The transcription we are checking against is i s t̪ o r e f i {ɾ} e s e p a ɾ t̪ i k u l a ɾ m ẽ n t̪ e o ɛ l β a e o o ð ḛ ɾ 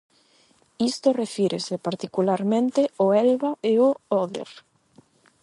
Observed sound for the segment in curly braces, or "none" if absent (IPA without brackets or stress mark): ɾ